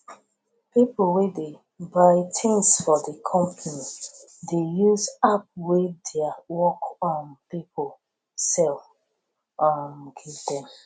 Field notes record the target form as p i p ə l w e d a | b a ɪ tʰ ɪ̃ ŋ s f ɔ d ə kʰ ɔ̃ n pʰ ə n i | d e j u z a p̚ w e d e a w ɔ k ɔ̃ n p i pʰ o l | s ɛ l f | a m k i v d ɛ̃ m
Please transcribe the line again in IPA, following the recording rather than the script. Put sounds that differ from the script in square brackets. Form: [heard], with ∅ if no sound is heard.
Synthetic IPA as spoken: p i p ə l w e d [e] | b a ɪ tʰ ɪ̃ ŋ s f ɔ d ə kʰ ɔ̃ [m] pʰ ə n i | d e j u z a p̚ w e d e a w ɔ k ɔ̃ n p i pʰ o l | s ɛ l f | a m [ɡ] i v d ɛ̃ m